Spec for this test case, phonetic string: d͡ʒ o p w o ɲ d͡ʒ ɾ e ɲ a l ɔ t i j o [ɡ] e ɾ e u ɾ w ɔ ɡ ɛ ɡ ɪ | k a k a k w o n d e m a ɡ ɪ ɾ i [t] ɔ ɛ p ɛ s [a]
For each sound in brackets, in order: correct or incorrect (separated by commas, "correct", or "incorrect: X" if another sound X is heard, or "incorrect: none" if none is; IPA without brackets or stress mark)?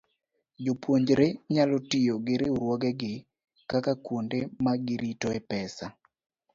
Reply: correct, correct, correct